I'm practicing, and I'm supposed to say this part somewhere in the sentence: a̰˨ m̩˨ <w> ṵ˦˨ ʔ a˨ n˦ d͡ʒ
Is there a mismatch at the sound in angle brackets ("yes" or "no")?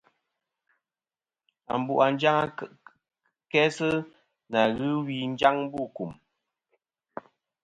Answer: yes